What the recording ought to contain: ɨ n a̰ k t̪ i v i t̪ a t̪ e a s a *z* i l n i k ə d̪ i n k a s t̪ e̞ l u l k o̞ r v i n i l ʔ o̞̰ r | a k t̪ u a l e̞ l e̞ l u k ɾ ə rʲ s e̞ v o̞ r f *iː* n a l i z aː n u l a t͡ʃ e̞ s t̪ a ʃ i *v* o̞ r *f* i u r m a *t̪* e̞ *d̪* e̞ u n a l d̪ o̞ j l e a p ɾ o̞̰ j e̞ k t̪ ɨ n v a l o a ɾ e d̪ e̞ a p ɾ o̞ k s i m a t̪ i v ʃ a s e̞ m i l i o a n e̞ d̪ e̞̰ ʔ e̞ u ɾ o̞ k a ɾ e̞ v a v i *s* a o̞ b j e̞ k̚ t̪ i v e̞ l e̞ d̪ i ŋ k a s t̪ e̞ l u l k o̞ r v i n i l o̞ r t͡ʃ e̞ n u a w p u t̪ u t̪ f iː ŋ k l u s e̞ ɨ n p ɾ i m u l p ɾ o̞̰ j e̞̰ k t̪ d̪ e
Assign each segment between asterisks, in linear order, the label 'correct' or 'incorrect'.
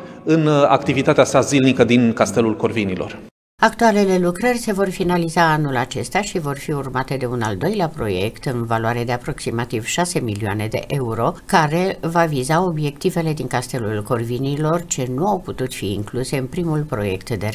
correct, incorrect, correct, correct, correct, correct, incorrect

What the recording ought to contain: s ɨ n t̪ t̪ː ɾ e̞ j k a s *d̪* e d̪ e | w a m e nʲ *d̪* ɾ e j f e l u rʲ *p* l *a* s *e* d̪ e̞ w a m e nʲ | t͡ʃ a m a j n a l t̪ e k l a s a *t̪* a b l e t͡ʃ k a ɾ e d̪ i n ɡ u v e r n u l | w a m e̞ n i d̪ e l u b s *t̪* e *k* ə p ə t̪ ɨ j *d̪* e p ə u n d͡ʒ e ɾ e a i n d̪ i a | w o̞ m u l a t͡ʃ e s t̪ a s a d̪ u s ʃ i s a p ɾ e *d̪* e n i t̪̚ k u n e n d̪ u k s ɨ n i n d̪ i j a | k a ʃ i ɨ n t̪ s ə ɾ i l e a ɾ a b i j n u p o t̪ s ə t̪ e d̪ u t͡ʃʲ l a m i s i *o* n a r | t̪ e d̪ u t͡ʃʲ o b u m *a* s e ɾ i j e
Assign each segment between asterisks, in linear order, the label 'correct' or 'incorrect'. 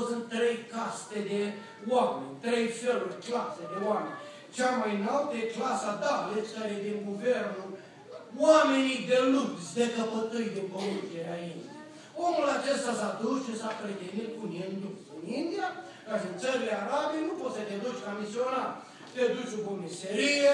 incorrect, incorrect, incorrect, correct, correct, incorrect, incorrect, correct, correct, incorrect, correct, incorrect

